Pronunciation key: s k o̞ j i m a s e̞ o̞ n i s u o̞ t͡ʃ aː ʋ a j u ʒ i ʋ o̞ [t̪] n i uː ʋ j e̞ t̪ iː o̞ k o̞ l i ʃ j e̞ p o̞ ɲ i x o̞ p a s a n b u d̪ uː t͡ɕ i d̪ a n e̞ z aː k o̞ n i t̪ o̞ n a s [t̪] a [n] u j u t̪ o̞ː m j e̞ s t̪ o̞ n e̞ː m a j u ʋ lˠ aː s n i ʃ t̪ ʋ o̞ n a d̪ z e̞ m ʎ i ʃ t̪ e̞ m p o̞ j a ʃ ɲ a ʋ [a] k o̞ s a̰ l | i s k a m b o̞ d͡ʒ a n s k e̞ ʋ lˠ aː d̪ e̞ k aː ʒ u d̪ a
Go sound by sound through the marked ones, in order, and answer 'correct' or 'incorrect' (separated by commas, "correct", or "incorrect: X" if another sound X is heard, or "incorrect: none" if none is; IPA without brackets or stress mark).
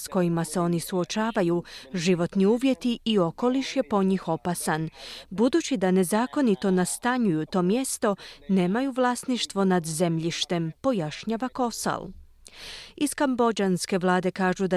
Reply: correct, correct, incorrect: ɲ, correct